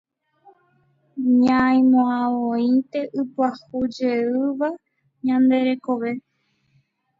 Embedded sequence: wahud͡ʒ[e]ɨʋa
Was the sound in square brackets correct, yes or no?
yes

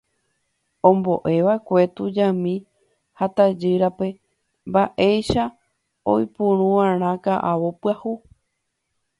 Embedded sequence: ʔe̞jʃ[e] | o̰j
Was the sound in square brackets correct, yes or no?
no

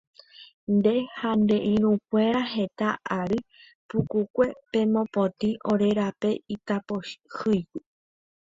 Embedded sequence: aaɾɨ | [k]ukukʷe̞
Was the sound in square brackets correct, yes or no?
no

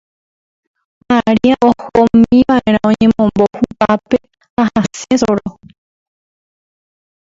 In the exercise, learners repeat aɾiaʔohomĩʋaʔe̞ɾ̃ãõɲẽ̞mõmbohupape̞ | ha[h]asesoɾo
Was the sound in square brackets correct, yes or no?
yes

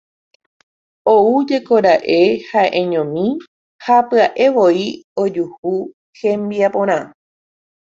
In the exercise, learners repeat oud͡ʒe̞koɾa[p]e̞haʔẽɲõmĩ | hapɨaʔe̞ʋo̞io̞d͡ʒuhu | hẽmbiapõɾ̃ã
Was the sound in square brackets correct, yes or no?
no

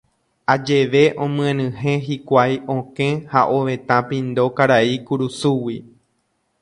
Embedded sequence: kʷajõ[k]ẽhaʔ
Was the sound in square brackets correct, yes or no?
yes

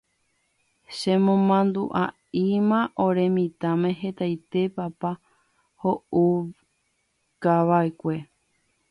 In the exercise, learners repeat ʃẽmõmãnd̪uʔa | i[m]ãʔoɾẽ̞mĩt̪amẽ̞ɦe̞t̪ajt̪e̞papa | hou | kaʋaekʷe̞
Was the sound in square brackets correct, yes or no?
yes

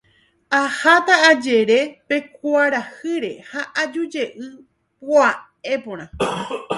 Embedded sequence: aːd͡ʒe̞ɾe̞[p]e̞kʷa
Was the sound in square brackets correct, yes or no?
yes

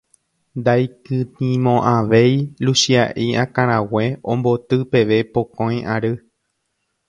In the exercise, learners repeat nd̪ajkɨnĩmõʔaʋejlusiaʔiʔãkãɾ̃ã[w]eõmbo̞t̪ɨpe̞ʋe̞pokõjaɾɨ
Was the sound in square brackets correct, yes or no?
yes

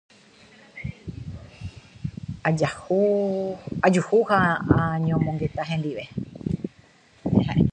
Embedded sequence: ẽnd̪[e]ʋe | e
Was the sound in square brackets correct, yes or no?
no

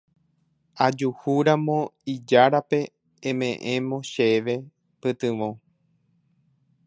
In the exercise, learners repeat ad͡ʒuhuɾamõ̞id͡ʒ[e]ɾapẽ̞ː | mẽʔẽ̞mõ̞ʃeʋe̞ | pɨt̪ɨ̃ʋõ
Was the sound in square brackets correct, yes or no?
no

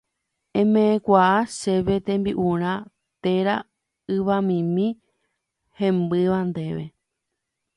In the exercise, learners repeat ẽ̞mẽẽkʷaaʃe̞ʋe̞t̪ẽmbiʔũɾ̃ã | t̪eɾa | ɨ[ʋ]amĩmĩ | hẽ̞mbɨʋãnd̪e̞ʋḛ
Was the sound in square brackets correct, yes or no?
yes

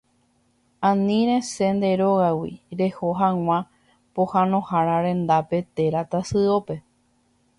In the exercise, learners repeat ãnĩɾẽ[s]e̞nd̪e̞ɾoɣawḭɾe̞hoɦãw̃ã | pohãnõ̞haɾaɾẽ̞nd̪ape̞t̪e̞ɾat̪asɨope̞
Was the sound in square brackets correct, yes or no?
yes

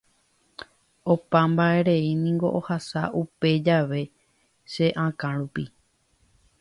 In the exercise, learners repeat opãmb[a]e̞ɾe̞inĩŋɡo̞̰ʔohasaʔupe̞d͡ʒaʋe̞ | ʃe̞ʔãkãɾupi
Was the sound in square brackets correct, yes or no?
yes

